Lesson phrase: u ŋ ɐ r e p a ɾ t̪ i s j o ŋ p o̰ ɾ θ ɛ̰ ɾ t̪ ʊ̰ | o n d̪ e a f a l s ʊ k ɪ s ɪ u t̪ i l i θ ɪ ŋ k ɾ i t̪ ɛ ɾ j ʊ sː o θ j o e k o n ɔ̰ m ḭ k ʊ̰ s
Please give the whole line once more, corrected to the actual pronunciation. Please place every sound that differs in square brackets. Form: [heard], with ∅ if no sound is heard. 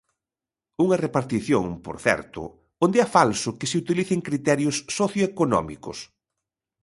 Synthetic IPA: u ŋ ɐ r e p a ɾ t̪ i [θ] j o ŋ p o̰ ɾ θ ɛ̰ ɾ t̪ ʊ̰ | o n d̪ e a f a l s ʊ k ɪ s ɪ u t̪ i l i θ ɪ ŋ k ɾ i t̪ ɛ ɾ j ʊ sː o θ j o e k o n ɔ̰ m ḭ k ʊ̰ s